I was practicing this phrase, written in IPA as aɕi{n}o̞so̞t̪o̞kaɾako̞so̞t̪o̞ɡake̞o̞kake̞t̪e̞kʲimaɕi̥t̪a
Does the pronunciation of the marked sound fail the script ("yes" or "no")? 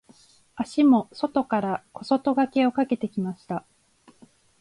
yes